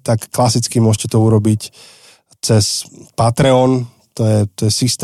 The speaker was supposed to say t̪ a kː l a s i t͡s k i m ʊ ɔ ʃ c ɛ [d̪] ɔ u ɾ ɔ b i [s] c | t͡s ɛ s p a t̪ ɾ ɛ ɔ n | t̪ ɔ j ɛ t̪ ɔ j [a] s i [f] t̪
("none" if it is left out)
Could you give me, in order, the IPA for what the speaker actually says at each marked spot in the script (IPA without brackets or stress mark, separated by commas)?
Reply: t̪, none, ɛ, s